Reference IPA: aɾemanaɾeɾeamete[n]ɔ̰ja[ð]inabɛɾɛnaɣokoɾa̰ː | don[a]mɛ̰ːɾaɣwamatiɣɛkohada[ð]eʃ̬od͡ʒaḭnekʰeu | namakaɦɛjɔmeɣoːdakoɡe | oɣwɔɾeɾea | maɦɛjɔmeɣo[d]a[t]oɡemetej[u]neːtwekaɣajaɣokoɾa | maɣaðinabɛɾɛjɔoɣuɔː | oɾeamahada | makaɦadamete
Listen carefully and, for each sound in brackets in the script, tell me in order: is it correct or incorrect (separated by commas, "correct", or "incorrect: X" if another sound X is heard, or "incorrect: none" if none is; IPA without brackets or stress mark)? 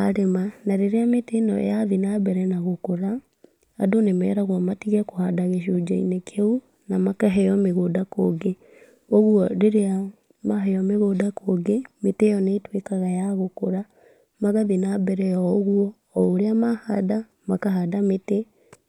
correct, correct, incorrect: e, incorrect: ɣ, correct, incorrect: k, incorrect: ɔ